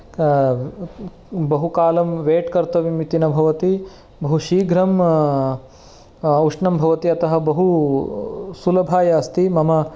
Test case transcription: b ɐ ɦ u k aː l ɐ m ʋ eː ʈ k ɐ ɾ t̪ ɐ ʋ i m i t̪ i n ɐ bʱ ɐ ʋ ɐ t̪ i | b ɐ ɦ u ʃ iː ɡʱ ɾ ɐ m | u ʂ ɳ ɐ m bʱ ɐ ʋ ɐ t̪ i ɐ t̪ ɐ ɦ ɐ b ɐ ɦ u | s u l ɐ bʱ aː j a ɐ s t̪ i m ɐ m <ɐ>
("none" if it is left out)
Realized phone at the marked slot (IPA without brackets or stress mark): ɐ